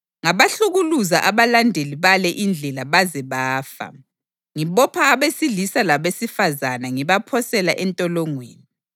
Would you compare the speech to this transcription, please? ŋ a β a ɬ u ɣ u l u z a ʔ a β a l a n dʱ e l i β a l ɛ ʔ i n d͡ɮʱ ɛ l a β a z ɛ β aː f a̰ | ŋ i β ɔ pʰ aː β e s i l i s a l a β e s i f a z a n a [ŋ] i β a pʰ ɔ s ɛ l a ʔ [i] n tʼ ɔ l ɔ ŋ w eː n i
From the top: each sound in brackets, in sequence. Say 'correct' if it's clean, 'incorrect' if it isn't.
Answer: correct, incorrect

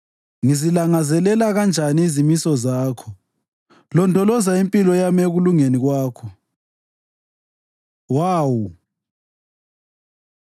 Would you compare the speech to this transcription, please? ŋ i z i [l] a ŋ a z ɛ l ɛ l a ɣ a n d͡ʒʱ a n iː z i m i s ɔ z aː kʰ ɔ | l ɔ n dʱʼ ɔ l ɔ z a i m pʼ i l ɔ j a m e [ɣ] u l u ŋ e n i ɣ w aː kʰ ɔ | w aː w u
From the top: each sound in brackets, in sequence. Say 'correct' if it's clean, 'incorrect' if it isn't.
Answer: correct, correct

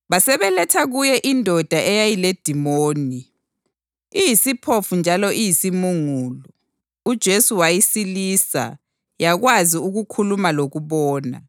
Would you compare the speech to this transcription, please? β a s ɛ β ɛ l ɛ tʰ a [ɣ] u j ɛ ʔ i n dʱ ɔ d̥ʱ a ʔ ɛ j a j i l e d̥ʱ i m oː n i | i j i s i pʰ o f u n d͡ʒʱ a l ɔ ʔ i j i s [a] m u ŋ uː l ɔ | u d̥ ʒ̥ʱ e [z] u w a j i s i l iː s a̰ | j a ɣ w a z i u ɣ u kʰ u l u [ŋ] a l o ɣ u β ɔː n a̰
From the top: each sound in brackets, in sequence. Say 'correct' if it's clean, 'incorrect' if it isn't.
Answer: correct, incorrect, incorrect, incorrect

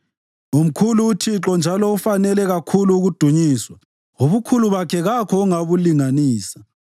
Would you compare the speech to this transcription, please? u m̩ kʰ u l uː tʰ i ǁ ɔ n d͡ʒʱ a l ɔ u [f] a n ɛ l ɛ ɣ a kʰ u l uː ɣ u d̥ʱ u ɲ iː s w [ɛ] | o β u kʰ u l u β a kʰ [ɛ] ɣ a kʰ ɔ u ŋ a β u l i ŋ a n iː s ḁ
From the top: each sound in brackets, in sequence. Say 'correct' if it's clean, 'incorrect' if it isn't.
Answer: correct, incorrect, correct

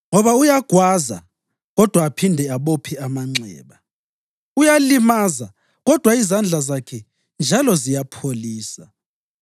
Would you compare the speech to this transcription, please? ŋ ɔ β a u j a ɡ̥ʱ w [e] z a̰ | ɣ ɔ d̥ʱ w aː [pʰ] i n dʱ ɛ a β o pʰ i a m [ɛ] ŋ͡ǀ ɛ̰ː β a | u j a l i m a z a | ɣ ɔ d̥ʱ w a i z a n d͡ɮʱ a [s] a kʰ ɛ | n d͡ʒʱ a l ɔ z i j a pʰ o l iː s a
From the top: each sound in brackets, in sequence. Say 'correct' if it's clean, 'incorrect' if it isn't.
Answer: incorrect, correct, incorrect, incorrect

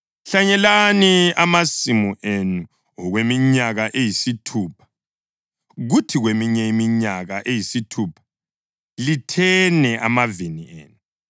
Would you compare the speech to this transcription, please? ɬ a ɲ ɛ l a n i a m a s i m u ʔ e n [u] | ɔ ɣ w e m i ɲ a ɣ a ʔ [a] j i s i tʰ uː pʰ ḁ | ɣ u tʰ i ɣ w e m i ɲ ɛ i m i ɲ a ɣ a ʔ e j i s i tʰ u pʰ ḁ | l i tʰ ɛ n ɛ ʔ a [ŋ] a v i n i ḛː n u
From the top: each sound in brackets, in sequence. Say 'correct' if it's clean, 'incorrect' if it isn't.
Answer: correct, incorrect, incorrect

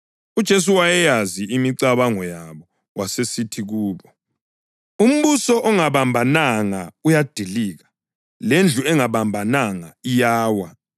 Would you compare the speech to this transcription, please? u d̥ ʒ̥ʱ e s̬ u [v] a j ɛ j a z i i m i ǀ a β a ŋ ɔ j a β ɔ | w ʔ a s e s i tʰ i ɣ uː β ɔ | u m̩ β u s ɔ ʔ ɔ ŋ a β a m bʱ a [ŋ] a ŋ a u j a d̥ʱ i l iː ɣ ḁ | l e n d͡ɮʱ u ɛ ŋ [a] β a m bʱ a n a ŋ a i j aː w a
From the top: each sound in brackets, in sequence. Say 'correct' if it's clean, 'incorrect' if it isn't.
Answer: incorrect, incorrect, correct

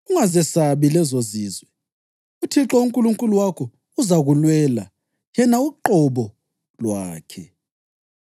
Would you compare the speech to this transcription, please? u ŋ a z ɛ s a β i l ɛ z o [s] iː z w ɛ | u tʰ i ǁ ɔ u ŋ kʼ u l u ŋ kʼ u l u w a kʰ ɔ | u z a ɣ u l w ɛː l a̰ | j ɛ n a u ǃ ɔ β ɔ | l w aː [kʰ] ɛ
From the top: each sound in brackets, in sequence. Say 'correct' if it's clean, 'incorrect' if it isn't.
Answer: incorrect, correct

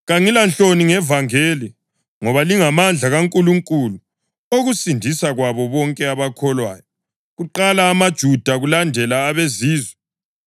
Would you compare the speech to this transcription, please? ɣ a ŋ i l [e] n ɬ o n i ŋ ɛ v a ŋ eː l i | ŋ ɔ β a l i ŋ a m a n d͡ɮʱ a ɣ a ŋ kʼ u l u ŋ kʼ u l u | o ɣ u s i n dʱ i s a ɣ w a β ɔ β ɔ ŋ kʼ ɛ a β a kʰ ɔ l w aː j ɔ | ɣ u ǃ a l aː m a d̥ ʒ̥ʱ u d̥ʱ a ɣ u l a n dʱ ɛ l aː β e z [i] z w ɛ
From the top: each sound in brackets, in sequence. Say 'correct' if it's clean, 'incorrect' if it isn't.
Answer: incorrect, incorrect

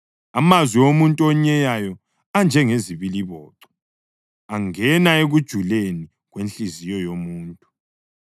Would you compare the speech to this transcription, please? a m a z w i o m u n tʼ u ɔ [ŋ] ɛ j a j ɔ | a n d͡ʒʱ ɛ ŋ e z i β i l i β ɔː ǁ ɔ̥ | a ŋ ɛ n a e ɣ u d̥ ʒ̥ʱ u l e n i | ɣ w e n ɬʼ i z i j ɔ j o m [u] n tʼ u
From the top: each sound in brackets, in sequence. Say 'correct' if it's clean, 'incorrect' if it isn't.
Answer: incorrect, incorrect

